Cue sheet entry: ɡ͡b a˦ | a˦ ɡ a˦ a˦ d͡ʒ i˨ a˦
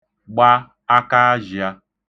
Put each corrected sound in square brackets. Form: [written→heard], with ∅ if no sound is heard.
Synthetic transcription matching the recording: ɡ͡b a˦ | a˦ [ɡ→k] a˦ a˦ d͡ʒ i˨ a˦